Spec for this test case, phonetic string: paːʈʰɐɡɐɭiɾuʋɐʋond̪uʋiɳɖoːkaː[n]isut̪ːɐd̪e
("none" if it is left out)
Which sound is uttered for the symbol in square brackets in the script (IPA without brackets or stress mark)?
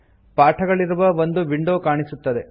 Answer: ɳ